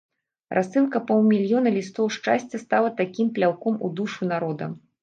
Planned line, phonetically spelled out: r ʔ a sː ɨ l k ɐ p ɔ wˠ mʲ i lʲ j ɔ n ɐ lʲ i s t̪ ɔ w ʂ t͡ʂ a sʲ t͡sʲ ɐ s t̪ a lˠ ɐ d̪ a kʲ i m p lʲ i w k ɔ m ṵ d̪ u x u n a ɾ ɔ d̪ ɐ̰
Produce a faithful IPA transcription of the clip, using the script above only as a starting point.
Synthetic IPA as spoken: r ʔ a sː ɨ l k ɐ p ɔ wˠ mʲ i lʲ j ɔ n ɐ lʲ i s t̪ ɔ w ʂ t͡ʂ a sʲ t͡sʲ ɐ s t̪ a lˠ ɐ t̪ a kʲ i m p lʲ a w k ɔ m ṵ d̪ u ʂ u n a ɾ ɔ d̪ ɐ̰